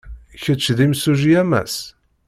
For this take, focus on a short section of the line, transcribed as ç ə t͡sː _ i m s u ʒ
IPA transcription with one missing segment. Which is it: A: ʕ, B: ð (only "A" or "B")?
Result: B